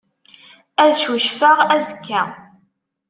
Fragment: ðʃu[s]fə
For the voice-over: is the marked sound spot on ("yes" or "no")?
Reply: no